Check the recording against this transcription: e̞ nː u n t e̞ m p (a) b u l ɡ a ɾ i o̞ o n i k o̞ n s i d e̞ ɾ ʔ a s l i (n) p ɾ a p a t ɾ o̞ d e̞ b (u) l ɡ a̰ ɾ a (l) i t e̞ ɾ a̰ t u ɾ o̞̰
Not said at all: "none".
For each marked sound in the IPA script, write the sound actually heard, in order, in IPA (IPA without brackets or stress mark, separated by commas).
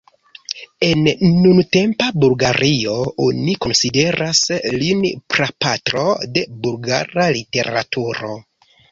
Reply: a, n, u, l